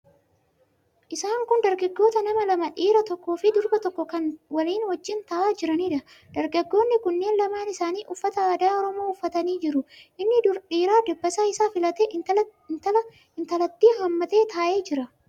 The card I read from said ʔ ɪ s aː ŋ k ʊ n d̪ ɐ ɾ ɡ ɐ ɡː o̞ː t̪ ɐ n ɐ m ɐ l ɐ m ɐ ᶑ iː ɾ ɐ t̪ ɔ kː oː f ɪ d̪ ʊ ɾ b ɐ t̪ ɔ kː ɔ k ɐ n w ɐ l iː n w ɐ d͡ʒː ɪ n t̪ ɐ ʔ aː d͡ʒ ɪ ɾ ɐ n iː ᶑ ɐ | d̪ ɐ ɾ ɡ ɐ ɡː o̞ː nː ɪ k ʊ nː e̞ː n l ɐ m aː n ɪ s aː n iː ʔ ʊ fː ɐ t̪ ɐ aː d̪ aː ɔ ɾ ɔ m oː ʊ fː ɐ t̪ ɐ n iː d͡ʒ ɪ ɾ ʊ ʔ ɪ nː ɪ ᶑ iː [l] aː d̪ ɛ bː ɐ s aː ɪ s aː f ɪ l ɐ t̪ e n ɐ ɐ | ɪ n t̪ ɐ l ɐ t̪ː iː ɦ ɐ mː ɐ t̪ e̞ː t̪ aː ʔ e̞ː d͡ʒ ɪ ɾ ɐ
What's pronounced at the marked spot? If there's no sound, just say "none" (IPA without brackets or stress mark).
ɾ